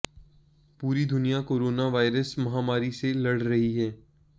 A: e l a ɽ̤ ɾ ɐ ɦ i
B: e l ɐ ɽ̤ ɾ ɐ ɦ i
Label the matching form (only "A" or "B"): B